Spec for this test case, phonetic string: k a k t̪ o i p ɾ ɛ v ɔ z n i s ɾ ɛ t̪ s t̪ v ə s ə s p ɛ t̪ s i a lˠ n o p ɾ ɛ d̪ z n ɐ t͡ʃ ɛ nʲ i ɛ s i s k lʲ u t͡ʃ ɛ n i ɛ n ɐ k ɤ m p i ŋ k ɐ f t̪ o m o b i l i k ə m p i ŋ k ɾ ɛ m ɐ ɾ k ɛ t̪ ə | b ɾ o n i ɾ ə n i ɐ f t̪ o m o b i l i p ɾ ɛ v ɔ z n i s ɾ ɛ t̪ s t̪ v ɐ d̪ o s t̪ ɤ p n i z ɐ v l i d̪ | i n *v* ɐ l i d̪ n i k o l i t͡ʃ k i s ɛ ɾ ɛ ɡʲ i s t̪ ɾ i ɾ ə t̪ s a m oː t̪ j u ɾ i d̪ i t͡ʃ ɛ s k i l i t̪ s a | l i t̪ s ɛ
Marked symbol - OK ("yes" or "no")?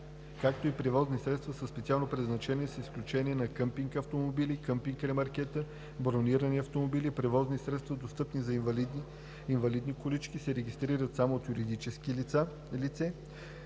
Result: yes